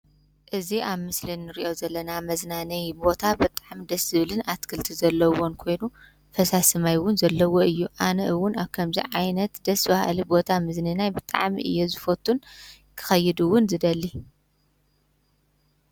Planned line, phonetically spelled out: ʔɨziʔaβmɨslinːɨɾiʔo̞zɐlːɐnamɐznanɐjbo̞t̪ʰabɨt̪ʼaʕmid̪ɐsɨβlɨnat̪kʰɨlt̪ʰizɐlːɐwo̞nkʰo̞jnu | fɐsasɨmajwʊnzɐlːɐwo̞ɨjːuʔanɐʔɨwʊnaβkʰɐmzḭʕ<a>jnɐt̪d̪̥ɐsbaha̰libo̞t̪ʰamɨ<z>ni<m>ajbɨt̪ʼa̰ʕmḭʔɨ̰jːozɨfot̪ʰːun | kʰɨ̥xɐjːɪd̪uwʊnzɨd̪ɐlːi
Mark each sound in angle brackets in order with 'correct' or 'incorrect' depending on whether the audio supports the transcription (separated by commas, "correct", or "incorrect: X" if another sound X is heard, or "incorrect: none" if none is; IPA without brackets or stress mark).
correct, correct, incorrect: n